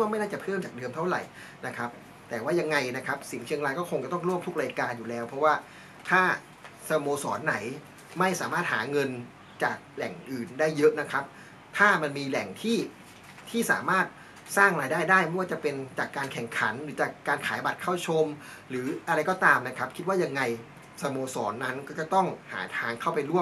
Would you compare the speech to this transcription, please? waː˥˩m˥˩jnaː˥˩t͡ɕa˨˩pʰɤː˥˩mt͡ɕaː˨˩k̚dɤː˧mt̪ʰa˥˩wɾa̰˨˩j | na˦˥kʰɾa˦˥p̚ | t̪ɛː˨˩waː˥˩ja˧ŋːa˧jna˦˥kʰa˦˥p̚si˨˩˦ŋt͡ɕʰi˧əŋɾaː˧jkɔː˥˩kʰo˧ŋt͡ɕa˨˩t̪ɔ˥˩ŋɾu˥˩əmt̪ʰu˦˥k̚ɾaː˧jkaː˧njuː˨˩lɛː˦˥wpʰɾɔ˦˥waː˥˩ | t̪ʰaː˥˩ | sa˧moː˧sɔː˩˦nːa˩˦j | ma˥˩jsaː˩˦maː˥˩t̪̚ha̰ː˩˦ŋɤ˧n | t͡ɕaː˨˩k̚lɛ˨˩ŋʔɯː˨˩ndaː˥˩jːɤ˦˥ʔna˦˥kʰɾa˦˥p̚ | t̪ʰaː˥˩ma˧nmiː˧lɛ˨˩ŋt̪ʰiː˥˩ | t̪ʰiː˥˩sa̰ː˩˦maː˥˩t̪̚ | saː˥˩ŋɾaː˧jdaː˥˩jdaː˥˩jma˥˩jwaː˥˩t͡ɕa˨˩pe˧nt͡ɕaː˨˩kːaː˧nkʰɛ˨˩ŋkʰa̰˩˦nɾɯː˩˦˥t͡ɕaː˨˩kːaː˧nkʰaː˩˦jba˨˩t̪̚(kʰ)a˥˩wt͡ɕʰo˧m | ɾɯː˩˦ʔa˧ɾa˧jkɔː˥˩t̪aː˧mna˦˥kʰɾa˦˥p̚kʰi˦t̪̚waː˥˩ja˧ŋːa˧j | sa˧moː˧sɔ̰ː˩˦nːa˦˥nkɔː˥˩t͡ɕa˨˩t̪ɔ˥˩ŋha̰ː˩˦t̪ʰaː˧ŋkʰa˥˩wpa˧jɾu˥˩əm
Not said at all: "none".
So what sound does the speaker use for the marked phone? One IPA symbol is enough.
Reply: kʰ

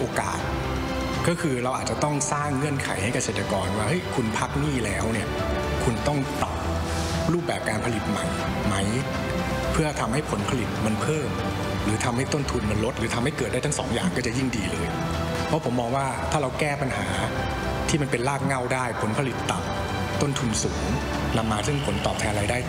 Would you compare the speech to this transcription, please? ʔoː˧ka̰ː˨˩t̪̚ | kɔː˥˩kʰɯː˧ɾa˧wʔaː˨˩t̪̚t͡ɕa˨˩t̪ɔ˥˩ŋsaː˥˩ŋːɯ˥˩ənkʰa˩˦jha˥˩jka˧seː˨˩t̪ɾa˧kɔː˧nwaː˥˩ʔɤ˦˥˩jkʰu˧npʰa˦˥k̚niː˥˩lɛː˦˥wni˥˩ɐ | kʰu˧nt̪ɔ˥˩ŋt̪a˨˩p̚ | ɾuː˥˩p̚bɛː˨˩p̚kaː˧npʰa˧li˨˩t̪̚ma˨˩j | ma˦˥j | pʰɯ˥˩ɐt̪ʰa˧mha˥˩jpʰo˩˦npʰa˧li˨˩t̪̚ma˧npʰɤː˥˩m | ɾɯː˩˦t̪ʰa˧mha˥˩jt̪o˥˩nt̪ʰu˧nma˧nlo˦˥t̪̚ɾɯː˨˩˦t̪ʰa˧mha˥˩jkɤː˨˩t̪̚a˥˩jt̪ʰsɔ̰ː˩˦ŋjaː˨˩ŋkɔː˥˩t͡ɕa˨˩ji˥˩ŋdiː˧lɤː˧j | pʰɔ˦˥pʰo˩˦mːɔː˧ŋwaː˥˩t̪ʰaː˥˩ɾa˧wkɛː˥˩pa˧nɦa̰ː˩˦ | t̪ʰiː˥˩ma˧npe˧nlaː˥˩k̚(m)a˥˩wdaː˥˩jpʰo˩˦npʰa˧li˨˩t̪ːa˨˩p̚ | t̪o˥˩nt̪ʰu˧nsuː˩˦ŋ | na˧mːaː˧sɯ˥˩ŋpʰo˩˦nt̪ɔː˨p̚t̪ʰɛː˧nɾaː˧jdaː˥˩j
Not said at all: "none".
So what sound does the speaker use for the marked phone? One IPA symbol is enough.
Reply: ŋ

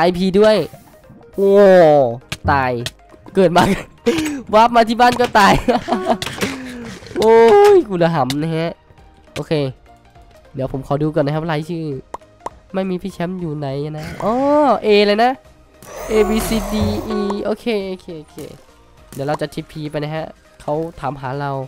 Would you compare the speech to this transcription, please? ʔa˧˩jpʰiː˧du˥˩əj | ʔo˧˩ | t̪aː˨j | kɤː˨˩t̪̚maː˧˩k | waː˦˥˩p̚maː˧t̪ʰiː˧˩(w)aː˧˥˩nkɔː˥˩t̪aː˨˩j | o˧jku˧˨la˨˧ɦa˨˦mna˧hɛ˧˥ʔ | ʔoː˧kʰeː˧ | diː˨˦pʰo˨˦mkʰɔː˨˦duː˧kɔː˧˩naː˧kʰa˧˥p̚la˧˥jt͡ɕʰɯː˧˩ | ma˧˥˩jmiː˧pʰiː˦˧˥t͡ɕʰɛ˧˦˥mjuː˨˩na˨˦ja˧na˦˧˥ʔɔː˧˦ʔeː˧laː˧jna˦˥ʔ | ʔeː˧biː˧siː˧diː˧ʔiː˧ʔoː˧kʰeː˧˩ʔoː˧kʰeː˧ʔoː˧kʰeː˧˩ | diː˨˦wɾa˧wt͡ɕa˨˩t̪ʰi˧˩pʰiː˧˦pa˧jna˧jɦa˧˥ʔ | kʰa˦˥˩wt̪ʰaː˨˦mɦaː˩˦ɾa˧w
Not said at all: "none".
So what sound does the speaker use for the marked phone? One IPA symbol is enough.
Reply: b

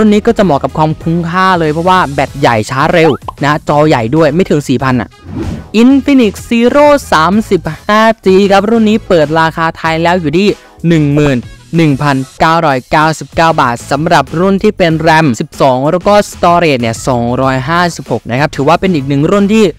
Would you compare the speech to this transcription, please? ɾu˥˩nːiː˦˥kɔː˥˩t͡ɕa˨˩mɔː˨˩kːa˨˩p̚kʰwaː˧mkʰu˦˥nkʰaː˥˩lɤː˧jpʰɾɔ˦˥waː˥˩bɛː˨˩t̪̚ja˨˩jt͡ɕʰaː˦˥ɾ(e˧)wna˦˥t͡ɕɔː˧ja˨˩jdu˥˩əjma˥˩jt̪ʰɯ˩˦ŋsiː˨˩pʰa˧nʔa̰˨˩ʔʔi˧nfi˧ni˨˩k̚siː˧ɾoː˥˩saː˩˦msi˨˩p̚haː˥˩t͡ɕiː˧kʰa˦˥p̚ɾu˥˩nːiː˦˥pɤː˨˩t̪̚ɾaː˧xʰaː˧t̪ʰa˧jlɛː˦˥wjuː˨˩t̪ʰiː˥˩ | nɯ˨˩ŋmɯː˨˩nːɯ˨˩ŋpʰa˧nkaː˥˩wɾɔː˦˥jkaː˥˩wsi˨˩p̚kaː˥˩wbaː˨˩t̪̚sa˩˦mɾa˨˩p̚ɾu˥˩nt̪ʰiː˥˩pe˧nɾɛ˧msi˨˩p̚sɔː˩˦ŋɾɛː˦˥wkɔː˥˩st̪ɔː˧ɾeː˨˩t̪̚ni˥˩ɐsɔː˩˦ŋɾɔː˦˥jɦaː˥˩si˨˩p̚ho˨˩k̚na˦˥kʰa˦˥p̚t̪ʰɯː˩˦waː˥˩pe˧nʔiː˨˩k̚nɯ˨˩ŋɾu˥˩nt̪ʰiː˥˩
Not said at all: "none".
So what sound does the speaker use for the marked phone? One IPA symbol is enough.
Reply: e˧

